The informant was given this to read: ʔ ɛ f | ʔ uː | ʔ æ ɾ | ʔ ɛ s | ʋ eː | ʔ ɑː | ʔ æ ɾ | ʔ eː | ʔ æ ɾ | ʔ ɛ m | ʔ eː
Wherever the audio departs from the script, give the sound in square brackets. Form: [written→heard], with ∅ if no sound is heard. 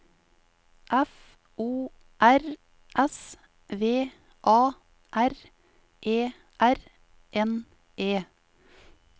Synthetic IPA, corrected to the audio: ʔ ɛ f | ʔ uː | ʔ æ ɾ | ʔ ɛ s | ʋ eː | ʔ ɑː | ʔ æ ɾ | ʔ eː | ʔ æ ɾ | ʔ ɛ [m→n] | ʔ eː